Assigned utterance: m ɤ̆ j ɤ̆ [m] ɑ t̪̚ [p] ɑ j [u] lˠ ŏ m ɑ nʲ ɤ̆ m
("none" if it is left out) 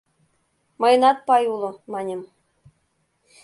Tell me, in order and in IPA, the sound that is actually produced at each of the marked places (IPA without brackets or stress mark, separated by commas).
n, p, u